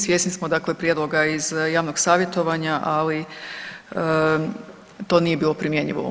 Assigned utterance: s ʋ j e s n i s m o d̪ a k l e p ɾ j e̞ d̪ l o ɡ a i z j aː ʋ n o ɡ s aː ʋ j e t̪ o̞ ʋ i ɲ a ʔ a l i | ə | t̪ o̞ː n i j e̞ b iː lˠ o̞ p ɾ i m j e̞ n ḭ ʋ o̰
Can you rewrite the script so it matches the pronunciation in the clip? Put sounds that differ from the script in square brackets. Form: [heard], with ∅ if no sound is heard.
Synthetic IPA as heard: s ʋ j e s n i s m o d̪ a k l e p ɾ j e̞ d̪ l o ɡ a i z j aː ʋ n o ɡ s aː ʋ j e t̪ o̞ ʋ [a] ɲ a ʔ a l i | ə | t̪ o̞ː n i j e̞ b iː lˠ o̞ p ɾ i m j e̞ [ɲ] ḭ ʋ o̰